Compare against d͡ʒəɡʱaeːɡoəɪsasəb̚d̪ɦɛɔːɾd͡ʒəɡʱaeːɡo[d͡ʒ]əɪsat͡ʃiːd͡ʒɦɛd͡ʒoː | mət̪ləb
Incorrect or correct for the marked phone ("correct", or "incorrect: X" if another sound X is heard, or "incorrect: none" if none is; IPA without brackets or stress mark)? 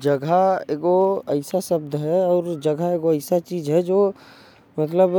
incorrect: none